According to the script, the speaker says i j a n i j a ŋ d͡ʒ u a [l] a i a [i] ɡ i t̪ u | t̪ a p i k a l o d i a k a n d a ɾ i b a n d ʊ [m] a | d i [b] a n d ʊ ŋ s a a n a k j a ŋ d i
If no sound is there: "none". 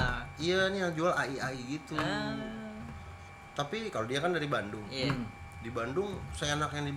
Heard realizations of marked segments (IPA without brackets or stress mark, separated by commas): l, i, ŋ, b